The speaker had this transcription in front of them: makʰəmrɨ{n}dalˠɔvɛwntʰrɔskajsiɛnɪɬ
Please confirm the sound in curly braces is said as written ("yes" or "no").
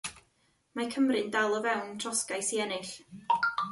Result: yes